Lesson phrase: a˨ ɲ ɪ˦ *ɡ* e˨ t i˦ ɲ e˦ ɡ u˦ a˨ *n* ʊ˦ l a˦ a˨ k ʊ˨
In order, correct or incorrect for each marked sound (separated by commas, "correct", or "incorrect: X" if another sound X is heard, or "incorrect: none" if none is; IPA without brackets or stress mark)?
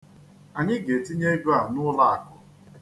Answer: correct, correct